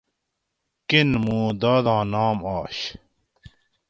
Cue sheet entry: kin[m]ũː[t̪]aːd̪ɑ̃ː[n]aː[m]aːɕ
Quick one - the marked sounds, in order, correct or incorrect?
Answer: correct, incorrect: d̪, correct, correct

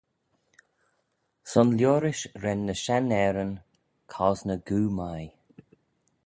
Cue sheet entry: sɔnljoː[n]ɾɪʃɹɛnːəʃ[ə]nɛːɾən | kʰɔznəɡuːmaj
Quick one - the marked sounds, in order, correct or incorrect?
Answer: incorrect: none, incorrect: a

